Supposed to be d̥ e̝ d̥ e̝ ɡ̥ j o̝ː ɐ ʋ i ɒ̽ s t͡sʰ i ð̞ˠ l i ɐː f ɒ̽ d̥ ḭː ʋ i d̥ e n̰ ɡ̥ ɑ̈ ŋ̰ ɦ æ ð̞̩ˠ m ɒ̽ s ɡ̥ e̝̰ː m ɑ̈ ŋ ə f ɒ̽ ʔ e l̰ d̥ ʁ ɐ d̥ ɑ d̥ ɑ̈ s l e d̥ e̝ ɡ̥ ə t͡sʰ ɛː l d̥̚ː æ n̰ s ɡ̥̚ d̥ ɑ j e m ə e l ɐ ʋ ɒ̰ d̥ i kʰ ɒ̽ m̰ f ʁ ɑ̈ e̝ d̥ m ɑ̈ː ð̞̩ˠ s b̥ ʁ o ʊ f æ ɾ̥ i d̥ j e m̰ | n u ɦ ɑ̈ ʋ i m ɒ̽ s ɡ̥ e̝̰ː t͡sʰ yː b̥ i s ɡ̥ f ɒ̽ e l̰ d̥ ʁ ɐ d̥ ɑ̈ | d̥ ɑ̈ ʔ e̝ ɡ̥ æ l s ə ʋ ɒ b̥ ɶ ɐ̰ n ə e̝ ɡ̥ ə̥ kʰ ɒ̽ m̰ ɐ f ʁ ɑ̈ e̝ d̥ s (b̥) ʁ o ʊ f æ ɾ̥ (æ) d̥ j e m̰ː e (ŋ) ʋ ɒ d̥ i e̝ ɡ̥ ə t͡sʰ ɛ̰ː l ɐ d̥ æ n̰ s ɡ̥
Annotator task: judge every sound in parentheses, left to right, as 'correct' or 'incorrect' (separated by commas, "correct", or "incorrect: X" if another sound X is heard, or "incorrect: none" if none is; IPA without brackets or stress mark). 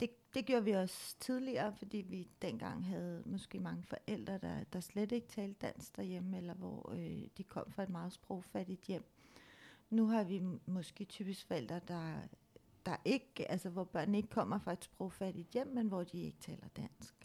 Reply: correct, incorrect: i, incorrect: n